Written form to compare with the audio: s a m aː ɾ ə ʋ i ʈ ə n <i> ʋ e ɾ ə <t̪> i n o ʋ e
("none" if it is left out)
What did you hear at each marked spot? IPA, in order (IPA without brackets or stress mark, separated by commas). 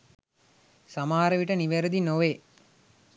i, d̪